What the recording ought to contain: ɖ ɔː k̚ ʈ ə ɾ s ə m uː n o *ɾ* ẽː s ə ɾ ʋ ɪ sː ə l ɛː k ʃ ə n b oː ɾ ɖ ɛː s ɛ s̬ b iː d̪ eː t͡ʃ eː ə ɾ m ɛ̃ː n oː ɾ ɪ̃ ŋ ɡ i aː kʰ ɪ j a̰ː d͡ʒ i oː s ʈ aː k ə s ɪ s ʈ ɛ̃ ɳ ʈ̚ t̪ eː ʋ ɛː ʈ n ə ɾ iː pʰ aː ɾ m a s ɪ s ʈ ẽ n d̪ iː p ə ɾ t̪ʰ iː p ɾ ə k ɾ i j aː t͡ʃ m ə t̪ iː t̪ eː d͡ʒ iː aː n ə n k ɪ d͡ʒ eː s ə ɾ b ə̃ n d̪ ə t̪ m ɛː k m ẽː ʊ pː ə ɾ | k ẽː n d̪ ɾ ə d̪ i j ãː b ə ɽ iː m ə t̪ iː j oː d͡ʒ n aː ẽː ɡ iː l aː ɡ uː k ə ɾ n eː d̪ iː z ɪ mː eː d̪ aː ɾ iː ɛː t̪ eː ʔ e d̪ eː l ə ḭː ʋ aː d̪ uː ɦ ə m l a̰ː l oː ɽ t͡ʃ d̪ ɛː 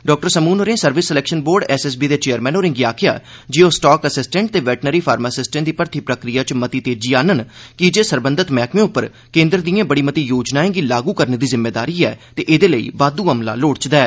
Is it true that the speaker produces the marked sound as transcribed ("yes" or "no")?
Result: yes